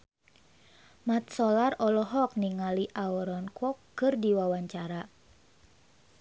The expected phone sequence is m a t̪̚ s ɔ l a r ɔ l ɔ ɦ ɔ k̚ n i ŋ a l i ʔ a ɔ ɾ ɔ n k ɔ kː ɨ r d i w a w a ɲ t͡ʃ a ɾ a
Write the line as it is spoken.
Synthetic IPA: m a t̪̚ s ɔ l a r ɔ l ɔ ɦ ɔ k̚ n i ŋ a l i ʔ a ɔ ɾ ɔ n k ɔ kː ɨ r d i w a w a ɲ t͡ʃ a ɾ a